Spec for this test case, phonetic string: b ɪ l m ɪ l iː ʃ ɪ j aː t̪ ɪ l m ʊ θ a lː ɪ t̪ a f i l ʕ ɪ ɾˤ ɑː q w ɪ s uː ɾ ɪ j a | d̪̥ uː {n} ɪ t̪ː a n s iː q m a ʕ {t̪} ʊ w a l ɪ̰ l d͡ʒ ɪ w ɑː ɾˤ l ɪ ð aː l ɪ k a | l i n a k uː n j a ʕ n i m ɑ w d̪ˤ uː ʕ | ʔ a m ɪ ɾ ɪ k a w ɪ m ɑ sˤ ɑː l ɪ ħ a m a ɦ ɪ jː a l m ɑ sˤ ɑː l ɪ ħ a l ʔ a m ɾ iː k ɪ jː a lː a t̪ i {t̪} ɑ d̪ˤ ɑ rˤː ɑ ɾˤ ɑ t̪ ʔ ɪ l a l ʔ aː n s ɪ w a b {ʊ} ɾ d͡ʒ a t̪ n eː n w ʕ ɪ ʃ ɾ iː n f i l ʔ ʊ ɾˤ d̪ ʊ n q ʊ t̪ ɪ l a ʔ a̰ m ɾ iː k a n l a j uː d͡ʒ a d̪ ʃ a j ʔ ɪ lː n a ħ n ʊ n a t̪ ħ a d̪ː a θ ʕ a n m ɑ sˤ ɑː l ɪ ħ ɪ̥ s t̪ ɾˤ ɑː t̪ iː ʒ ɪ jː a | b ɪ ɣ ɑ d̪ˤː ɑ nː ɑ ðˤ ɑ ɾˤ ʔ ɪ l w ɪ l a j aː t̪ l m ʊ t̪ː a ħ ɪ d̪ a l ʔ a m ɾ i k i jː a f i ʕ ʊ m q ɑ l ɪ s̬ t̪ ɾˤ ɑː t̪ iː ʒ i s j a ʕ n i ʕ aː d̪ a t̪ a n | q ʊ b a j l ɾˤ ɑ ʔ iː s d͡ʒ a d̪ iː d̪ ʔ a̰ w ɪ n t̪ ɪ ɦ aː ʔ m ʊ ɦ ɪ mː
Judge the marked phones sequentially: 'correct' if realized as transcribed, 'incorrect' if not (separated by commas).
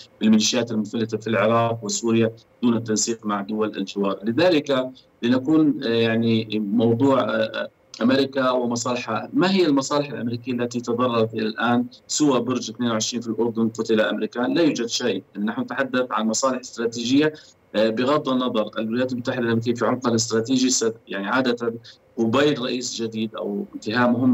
correct, incorrect, correct, correct